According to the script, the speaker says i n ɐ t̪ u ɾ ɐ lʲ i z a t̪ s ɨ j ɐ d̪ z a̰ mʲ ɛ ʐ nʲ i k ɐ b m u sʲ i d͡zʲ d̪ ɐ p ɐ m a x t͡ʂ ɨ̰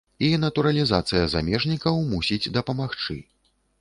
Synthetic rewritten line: i n ɐ t̪ u ɾ ɐ lʲ i z a t̪ s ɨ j ɐ z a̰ mʲ ɛ ʐ nʲ i k ɐ w m u sʲ i d͡zʲ d̪ ɐ p ɐ m a x t͡ʂ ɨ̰